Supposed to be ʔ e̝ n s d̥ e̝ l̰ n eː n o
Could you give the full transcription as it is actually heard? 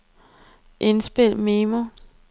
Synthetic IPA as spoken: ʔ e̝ n s b̥ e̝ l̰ m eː m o

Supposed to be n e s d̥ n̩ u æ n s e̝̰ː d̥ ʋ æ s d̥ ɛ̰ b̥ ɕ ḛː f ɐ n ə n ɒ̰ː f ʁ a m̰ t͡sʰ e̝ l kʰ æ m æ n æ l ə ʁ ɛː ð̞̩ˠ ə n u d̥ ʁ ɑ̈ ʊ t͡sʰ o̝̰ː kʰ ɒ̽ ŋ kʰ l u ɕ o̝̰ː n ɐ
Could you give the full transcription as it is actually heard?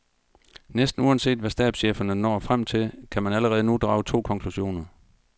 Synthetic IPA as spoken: n e s d̥ n̩ u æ n s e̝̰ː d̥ ʋ æ s d̥ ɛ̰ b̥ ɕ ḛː f ɐ n ə n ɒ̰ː f ʁ a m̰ t͡sʰ e̝ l kʰ æ m æ n æ l ə ʁ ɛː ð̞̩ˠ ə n u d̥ ʁ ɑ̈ ʊ t͡sʰ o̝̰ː kʰ ɒ̽ ŋ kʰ l u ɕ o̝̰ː n ɐ

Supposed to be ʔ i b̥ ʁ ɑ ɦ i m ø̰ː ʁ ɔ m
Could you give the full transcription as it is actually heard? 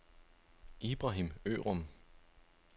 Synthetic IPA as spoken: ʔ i b̥ ʁ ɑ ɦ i m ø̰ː ʁ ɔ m

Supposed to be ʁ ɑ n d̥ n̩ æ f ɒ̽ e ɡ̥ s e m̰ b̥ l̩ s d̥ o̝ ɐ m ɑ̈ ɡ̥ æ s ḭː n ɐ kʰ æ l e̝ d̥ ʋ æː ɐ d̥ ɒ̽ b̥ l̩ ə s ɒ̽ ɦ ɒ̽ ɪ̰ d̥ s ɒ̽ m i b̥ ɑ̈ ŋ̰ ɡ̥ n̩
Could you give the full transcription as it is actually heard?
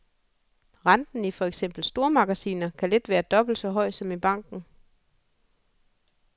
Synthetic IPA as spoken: ʁ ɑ n d̥ n̩ i f ɒ̽ e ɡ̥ s e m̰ b̥ l̩ s d̥ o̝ ɐ m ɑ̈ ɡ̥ æ s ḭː n ɐ kʰ æ l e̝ d̥ ʋ æː ɐ d̥ ɒ̽ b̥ l̩ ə s ɒ̽ ɦ ɒ̽ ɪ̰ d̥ s ɒ̽ m i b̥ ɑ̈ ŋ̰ ɡ̥ n̩

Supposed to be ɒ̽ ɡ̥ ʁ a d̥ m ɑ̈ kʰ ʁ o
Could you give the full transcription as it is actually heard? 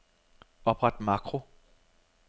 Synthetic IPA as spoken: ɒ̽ b̥ ʁ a d̥ m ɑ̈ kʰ ʁ o

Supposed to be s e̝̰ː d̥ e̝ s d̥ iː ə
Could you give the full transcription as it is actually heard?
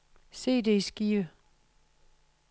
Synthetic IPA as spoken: s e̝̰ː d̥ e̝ s ɡ̥ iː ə

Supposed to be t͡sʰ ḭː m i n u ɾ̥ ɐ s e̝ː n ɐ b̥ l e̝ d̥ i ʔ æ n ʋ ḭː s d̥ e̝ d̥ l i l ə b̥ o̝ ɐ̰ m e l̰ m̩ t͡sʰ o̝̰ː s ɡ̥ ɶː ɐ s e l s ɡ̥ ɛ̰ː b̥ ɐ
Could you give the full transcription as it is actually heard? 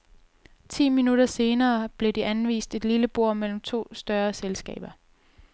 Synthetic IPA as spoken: t͡sʰ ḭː m i n u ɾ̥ ɐ s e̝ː n ɐː b̥ l e̝ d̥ i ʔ æ n ʋ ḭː s d̥ e̝ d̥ l i l ə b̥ o̝ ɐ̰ m e l̰ m̩ t͡sʰ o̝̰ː s d̥ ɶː ɐ s e l s ɡ̥ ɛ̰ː b̥ ɐ

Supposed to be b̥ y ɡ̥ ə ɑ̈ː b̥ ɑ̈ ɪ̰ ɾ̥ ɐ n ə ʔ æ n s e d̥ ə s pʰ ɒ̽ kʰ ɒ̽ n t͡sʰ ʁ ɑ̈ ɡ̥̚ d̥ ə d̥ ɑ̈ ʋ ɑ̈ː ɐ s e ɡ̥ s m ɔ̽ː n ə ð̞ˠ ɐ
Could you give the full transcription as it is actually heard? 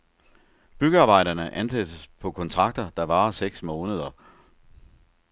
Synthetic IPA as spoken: b̥ y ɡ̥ ə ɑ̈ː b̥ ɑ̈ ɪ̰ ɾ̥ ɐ n ə ʔ æ n s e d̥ ə s pʰ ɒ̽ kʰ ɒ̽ n t͡sʰ ʁ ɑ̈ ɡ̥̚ d̥ ɐ d̥ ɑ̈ ʋ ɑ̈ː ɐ s e ɡ̥ s m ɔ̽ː n ə ð̞ˠ ɐ

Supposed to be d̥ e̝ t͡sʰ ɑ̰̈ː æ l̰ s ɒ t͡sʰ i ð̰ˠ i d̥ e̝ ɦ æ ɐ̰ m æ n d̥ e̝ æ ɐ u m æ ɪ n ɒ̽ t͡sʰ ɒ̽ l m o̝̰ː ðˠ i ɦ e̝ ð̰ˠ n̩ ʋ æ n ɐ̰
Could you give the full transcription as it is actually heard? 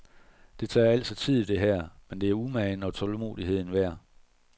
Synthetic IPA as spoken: d̥ e̝ t͡sʰ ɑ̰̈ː æ l̰ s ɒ t͡sʰ i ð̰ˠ i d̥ e̝ ɦ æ ɐ̰ m e n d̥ e̝ æ ɐ u m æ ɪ n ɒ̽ t͡sʰ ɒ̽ l m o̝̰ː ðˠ i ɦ e̝ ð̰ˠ n̩ ʋ æ ɐ̰

